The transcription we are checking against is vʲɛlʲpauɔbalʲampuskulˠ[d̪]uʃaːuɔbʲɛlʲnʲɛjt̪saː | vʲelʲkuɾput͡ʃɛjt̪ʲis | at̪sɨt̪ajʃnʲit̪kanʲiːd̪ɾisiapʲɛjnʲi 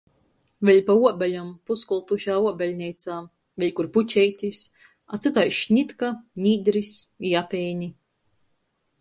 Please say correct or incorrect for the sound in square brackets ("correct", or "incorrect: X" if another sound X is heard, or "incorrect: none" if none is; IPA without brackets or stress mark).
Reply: incorrect: t̪